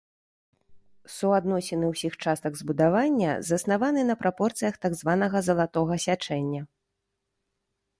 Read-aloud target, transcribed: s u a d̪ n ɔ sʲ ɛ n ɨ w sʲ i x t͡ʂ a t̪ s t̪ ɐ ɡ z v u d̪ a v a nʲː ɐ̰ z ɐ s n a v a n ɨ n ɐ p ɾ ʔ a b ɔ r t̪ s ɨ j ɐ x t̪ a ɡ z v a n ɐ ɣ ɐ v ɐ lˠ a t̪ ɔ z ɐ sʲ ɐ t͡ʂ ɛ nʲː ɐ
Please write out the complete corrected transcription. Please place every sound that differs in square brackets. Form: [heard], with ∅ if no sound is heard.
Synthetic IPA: s u a d̪ n ɔ sʲ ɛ n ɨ w sʲ i x t͡ʂ a [∅] s t̪ ɐ ɡ z [b] u d̪ a v a nʲː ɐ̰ z ɐ s n a v a n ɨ n ɐ p ɾ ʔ a [p] ɔ r t̪ s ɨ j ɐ x t̪ a ɡ z v a n ɐ ɣ ɐ [z] ɐ lˠ a t̪ ɔ [ɣ] ɐ sʲ [a] t͡ʂ ɛ nʲː ɐ

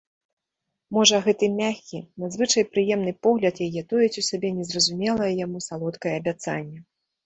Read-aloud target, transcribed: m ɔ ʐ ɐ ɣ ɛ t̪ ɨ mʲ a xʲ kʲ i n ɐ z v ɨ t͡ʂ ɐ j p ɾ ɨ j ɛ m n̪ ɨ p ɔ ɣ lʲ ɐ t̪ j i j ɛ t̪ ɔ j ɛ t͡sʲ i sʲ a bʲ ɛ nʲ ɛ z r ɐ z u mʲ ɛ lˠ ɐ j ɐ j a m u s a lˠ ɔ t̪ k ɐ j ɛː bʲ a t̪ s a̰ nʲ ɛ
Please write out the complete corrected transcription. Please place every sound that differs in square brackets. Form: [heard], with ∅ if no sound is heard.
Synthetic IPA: m ɔ ʐ ɐ ɣ ɛ t̪ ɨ mʲ a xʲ kʲ i n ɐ z v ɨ t͡ʂ ɐ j p ɾ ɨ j ɛ m n̪ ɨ p ɔ ɣ lʲ ɐ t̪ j [a] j ɛ t̪ ɔ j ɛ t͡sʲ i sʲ a bʲ ɛ nʲ ɛ z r ɐ z u mʲ ɛ lˠ ɐ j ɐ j a m u s a lˠ ɔ t̪ k ɐ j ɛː bʲ a t̪ s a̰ [nʲː] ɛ

